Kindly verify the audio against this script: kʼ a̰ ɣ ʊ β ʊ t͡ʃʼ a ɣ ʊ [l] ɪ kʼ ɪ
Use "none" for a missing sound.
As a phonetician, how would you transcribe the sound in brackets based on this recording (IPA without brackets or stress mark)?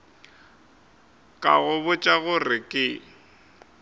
r